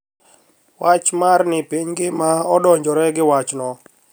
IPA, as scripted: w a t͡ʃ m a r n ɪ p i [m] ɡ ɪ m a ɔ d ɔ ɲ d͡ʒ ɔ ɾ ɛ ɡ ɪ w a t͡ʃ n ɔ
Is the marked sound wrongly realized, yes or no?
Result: yes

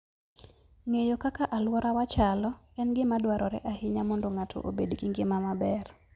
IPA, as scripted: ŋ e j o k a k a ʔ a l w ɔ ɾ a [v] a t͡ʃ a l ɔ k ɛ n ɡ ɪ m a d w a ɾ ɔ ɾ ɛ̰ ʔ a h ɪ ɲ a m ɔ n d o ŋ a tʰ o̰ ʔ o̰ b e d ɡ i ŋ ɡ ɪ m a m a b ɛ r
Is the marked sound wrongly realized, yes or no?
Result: yes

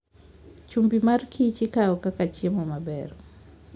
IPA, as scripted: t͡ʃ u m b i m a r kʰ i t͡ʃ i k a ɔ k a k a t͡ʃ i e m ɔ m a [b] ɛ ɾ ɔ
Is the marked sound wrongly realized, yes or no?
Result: no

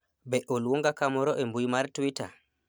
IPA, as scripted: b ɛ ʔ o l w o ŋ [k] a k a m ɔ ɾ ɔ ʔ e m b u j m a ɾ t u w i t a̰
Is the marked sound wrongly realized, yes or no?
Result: yes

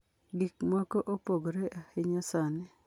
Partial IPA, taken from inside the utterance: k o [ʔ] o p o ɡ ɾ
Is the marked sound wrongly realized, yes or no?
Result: no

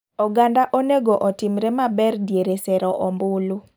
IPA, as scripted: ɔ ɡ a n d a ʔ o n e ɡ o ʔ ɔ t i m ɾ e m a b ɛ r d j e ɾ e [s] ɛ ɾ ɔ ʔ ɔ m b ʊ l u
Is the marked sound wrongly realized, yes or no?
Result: no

